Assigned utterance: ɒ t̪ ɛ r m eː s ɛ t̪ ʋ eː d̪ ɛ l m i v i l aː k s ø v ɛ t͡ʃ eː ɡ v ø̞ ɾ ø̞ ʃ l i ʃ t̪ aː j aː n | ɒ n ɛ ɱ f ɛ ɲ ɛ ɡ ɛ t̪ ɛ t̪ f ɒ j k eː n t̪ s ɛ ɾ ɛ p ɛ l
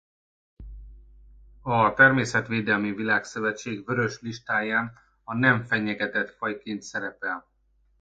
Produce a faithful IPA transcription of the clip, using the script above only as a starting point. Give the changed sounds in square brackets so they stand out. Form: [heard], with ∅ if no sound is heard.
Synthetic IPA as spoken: ɒ t̪ ɛ r m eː s ɛ t̪ ʋ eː d̪ ɛ l m i v i l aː k s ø v ɛ t͡ʃ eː ɡ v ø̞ ɾ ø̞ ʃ l i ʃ t̪ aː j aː n | ɒ n ɛ ɱ f ɛ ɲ ɛ ɡ ɛ t̪ ɛ t̪ f ɒ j k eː n t̪ s ɛ ɾ ɛ p ɛ l